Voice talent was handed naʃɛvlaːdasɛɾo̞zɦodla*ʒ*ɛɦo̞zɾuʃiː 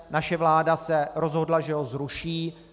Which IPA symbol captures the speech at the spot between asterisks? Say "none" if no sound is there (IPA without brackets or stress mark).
ʒ